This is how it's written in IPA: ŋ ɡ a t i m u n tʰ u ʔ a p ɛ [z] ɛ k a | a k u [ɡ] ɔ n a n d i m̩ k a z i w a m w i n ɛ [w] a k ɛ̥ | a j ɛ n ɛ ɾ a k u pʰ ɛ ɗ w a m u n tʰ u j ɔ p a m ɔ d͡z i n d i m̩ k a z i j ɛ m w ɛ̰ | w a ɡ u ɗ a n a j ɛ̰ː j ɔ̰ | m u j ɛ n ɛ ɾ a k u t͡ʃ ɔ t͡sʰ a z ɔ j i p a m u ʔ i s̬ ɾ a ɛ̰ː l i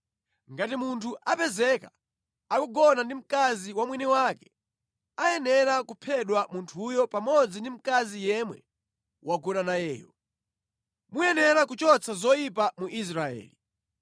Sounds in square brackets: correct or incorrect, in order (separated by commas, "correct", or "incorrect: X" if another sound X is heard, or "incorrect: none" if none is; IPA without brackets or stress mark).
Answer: correct, correct, correct